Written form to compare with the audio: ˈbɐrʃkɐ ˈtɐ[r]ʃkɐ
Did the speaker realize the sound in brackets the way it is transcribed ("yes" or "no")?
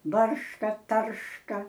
yes